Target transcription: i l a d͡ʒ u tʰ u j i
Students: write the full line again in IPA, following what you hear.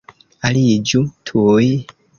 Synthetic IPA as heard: a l i d͡ʒ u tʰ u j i

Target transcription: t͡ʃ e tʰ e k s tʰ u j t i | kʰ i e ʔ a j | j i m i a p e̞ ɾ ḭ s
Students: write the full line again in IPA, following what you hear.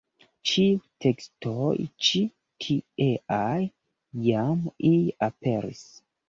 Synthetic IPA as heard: t͡ʃ i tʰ e k s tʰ o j t͡ʃ i | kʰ i e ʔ a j | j a m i a p e̞ ɾ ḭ s

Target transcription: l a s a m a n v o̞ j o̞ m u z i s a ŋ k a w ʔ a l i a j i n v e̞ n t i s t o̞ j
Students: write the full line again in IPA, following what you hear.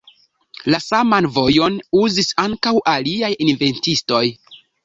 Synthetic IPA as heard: l a s a m a n v o̞ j o̞ n u z i s a ŋ k a w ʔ a l i a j i n v e̞ n t i s t o̞ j

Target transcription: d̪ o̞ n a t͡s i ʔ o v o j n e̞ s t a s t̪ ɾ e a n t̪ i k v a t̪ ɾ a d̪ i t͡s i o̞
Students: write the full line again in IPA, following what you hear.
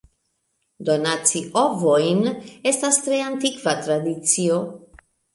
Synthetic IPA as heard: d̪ o̞ n a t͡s i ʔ o v o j n e̞ s t a s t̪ ɾ e a n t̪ i k v a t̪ ɾ a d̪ i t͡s i o̞

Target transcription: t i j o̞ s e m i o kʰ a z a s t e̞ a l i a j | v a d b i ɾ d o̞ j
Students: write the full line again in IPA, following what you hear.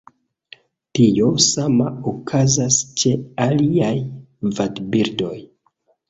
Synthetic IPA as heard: t i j o̞ s a m a o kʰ a z a s t͡ʃ e̞ a l i a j | v a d b i ɾ d o̞ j

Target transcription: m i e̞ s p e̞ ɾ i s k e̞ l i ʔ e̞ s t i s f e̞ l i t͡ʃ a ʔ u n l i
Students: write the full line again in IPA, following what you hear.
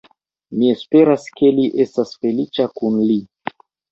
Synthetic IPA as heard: m i e̞ s p e̞ ɾ a s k e̞ l i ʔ e̞ s t a s f e̞ l i t͡ʃ a k u n l i

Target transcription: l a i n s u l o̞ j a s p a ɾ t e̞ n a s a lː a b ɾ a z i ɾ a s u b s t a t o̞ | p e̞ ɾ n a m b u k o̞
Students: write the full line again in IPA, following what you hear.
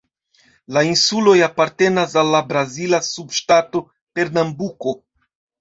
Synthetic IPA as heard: l a i n s u l o̞ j a p a ɾ t e̞ n a s a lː a b ɾ a z i l a s u b ʃ t a t o̞ | p e̞ ɾ n a m b u k o̞

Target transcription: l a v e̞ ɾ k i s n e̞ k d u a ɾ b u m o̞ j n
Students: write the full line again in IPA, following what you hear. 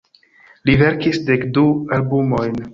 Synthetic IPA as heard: l i v e̞ ɾ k i s d e̞ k d u a l b u m o̞ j n

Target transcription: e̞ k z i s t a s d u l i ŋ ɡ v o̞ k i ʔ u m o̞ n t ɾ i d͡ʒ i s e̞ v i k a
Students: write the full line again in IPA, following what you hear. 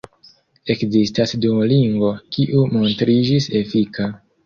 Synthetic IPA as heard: e̞ k z i s t a s d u l i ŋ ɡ v o̞ k i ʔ u m o̞ n t ɾ i d͡ʒ i s e̞ f i k a

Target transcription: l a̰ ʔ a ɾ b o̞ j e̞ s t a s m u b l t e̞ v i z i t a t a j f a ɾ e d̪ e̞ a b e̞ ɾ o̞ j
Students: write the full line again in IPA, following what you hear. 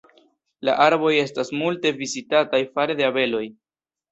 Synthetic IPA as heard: l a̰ ʔ a ɾ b o̞ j e̞ s t a s m u l t e̞ v i z i t a t a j f a ɾ e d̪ e̞ a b e̞ l o̞ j

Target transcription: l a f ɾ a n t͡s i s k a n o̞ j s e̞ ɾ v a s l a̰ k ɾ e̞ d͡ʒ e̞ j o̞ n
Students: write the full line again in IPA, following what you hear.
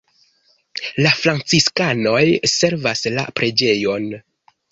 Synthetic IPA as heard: l a f ɾ a n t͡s i s k a n o̞ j s e̞ ɾ v a s l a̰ p ɾ e̞ d͡ʒ e̞ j o̞ n

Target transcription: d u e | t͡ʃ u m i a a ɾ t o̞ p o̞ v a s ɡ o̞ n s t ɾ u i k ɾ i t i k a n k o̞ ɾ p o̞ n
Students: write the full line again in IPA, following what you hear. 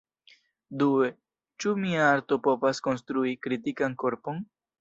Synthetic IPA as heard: d u e | t͡ʃ u m i a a ɾ t o̞ p o̞ v a s k o̞ n s t ɾ u i k ɾ i t i k a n k o̞ ɾ p o̞ n

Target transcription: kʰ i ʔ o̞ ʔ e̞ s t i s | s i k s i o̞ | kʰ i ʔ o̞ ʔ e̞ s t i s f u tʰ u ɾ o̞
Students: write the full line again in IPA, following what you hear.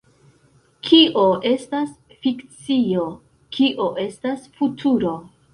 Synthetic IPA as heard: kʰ i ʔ o̞ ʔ e̞ s t a s | f i k t͡s i o̞ | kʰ i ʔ o̞ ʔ e̞ s t a s f u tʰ u ɾ o̞

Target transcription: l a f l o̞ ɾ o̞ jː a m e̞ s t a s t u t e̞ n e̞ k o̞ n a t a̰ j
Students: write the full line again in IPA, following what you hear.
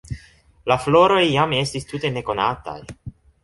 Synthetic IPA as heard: l a f l o̞ ɾ o̞ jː a m e̞ s t i s t u t e̞ n e̞ k o̞ n a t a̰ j

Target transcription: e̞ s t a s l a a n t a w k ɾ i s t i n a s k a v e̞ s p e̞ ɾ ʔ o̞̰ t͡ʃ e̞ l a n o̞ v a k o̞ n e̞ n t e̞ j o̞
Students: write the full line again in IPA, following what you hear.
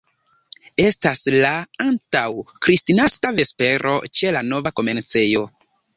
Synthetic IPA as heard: e̞ s t a s l a a n t a w k ɾ i s t i n a s k a v e̞ s p e̞ ɾ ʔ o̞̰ t͡ʃ e̞ l a n o̞ v a k o̞ m e̞ n t͡s e̞ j o̞

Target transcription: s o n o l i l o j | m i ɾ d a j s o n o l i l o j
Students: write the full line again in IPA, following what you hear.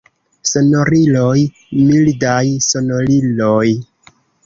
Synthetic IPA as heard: s o n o ɾ i l o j | m i l d a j s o n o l i l o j

